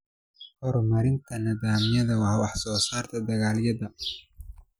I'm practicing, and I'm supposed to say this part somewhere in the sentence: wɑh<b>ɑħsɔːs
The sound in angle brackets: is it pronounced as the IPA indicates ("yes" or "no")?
no